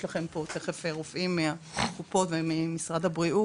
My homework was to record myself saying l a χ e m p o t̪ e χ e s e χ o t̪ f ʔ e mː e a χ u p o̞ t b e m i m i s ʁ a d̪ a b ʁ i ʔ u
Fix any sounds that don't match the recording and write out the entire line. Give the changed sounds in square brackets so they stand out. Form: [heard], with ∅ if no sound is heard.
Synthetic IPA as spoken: l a χ e m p o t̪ e χ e [f] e [ʁ] o [∅] f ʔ [i] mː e a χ u p o̞ t [v] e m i m i s ʁ a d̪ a b ʁ i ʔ u